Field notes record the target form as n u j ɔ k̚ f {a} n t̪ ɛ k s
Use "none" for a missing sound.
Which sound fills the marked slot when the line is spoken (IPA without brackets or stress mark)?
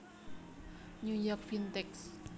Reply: i